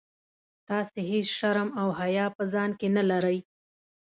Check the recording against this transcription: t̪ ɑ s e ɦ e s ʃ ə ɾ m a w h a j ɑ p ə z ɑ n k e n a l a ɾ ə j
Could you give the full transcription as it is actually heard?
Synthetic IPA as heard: t̪ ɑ s e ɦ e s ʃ a ɾ m a w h a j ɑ p ə z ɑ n k e n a l a ɾ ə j